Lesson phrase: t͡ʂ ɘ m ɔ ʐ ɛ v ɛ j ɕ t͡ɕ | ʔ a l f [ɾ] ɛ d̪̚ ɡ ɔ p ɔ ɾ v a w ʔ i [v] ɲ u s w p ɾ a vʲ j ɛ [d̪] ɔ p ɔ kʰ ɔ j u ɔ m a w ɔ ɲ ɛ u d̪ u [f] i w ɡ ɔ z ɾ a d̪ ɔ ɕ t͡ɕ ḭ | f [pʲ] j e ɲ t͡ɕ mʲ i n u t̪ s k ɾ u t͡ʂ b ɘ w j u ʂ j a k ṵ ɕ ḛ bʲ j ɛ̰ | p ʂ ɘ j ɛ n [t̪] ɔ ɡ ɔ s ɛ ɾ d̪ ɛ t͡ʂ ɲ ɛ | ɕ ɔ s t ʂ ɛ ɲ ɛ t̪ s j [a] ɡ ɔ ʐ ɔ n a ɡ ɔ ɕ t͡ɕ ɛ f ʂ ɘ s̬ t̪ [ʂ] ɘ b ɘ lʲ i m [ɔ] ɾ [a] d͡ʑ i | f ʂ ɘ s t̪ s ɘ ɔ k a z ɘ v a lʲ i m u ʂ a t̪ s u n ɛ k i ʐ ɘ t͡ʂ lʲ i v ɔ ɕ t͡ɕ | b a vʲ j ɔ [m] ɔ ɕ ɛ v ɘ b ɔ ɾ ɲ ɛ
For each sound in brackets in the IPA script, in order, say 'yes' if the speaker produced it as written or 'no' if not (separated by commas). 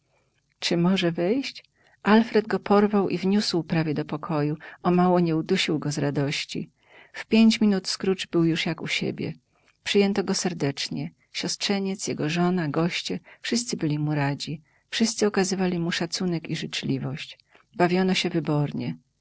yes, yes, yes, no, yes, yes, no, no, no, yes, no